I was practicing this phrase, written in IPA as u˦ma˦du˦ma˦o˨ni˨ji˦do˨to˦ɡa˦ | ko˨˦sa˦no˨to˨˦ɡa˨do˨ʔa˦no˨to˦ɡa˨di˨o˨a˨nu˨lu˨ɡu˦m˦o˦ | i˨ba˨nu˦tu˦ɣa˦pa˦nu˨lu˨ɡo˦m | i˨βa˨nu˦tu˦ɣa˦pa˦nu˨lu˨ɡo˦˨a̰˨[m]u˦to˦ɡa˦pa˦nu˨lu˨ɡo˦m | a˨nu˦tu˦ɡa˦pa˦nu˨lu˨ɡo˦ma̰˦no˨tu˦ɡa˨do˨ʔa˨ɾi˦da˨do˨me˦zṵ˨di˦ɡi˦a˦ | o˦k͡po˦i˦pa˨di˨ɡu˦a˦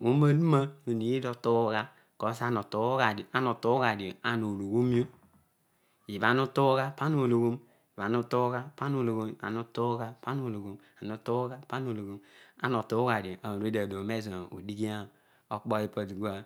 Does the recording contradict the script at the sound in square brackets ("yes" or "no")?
yes